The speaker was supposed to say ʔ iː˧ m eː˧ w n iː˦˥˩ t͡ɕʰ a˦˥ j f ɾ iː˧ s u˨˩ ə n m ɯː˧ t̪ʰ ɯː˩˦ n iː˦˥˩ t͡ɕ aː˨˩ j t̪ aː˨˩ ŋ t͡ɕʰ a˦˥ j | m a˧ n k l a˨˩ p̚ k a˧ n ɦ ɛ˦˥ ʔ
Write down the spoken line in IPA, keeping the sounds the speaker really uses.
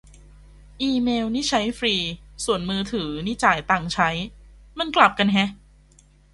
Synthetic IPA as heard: ʔ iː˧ m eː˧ w n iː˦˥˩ t͡ɕʰ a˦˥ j f ɾ iː˧ s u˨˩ ə n m ɯː˧ t̪ʰ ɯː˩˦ n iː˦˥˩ t͡ɕ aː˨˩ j t̪ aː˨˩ ŋ t͡ɕʰ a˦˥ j | m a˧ n k l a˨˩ p̚ k a˧ n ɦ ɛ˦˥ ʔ